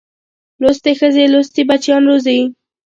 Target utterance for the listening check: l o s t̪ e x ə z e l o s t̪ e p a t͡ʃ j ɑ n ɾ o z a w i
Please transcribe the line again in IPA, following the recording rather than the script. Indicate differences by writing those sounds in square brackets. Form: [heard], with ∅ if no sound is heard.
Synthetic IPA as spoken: l o s t̪ e x ə z e l o s t̪ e [b] a t͡ʃ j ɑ n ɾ o z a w i